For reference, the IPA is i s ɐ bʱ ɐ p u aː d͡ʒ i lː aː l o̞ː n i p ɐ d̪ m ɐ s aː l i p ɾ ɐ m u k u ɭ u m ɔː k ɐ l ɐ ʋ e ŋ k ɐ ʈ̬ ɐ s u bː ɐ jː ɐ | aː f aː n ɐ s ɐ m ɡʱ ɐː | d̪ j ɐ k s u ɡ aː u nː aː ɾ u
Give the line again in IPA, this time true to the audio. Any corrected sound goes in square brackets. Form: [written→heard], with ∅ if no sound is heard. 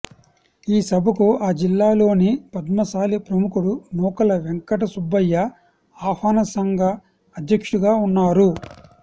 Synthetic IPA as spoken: [i→iː] s ɐ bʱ ɐ [p→k] u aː d͡ʒ i lː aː l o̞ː n i p ɐ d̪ m ɐ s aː l i p ɾ ɐ m u k u [ɭ→ɽ] u [m→n] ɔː k ɐ l ɐ ʋ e ŋ k ɐ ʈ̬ ɐ s u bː ɐ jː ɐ | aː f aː n ɐ s ɐ [m→ŋ] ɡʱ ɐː | d̪ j ɐ k [s→ʂ] u ɡ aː u nː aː ɾ u